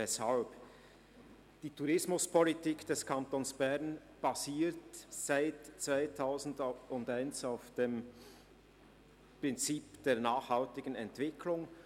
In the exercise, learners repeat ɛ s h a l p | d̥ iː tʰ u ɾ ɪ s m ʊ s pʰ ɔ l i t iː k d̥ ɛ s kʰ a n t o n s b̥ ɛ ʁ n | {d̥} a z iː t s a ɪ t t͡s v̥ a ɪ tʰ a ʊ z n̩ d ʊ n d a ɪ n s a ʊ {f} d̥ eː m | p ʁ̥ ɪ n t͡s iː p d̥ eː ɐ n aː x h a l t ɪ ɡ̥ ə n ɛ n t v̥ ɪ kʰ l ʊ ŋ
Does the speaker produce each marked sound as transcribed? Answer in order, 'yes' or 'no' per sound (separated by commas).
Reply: no, yes